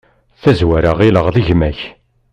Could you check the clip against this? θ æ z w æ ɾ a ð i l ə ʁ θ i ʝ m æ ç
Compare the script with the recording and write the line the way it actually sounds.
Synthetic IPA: θ æ z w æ ɾ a ʁ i l ə ʁ ð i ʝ m æ ç